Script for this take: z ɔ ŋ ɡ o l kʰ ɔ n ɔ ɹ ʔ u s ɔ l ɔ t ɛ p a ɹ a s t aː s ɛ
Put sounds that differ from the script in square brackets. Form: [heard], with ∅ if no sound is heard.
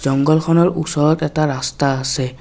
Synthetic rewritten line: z ɔ ŋ ɡ [ɔ] l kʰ ɔ n ɔ ɹ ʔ u s ɔ [ɹ] ɔ t ɛ [t] a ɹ a s t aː s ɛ